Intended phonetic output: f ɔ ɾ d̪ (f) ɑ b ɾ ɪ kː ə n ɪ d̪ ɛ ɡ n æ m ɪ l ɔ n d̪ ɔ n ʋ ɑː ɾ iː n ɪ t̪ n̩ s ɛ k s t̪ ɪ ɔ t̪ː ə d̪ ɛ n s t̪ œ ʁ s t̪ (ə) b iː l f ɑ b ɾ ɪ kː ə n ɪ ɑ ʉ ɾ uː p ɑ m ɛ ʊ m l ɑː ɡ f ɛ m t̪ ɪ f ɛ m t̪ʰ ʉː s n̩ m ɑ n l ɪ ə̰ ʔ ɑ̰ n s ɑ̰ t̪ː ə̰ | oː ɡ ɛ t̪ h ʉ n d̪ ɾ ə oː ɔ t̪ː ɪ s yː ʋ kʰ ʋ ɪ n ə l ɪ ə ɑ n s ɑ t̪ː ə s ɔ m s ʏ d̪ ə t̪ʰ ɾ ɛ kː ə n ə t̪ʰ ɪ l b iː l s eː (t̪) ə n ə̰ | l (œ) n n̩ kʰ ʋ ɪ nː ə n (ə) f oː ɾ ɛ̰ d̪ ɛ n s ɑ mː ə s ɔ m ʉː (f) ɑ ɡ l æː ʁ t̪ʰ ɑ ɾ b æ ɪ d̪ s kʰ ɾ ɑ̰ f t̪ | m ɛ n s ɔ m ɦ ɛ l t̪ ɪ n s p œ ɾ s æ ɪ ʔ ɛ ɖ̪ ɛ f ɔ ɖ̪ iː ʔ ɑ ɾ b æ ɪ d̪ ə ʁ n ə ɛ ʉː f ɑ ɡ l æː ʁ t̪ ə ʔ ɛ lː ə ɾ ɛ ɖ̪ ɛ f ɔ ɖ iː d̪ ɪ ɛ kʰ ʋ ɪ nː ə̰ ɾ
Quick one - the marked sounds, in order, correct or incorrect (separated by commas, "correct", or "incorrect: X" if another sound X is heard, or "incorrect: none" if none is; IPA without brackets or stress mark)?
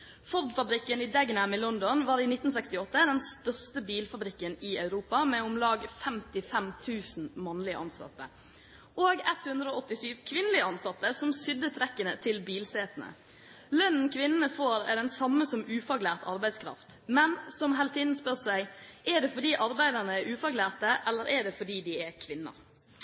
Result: correct, correct, correct, correct, correct, correct